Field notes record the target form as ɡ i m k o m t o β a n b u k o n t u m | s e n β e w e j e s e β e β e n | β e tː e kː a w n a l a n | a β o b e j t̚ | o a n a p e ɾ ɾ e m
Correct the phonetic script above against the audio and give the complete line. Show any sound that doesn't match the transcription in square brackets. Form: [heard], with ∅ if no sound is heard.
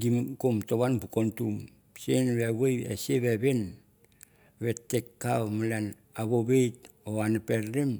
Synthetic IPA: ɡ i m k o m t o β a n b u k o n t u m | s e n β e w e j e s e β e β e n | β e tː e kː a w [m] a l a n | a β o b e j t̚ | o a n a p e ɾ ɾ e m